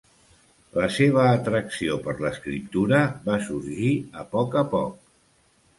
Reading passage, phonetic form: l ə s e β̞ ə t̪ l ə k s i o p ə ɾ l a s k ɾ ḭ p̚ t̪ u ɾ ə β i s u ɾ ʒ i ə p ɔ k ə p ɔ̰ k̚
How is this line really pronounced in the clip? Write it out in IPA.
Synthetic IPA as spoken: l ə s e β̞ əː t̪ ɾ ə k s i o p ə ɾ l ə s k ɾ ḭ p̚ t̪ u ɾ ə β a s u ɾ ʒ i ə p ɔ k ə p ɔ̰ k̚